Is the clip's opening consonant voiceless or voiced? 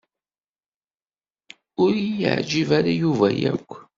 voiced